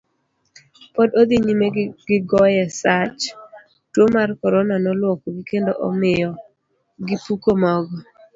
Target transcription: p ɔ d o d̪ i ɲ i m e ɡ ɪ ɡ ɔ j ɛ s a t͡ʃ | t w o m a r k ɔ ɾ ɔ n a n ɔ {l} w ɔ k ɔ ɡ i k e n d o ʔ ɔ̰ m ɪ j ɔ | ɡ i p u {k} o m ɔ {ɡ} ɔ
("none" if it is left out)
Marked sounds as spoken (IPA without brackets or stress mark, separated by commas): l, k, ɡ